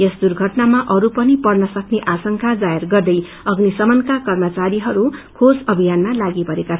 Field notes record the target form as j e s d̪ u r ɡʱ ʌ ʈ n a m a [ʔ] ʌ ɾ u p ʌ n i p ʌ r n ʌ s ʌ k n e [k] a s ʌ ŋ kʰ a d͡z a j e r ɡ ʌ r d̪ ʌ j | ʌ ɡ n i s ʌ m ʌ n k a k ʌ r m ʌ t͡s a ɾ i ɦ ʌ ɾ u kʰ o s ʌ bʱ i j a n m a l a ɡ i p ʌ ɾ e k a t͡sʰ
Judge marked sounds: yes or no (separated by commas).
yes, no